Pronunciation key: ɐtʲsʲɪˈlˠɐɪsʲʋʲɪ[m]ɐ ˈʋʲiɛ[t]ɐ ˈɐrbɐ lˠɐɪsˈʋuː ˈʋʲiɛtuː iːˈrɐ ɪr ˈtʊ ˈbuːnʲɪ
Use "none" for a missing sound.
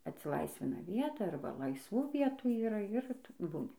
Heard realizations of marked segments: n, t

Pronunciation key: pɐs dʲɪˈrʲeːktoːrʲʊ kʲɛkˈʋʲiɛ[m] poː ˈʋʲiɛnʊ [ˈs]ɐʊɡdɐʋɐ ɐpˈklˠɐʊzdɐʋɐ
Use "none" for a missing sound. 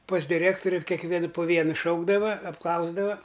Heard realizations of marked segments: n, ʃ

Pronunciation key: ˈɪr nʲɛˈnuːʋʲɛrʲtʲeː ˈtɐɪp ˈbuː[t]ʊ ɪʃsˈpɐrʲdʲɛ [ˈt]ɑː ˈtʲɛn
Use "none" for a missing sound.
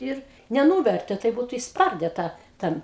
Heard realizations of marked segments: t, t

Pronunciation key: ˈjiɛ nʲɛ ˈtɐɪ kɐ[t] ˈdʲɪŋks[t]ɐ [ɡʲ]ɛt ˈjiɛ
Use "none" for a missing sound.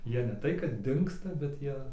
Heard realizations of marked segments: t, t, bʲ

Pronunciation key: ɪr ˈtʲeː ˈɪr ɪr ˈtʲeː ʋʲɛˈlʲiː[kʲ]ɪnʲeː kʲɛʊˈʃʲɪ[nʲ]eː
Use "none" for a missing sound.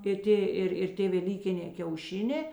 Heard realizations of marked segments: kʲ, nʲ

